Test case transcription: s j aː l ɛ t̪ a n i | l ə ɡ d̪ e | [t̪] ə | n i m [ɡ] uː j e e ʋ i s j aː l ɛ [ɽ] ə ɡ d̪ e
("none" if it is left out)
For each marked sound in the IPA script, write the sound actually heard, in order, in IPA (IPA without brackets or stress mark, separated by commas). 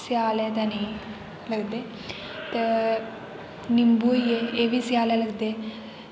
t̪, b, l